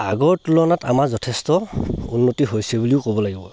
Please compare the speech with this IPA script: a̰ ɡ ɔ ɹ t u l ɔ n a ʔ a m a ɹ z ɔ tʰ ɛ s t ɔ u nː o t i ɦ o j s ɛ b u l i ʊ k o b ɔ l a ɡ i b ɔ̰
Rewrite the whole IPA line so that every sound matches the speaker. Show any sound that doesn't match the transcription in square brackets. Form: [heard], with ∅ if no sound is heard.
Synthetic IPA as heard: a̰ ɡ ɔ ɹ t u l ɔ n a [t] a m a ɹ z ɔ tʰ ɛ s t ɔ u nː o t i ɦ o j s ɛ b u l i ʊ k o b ɔ l a ɡ i b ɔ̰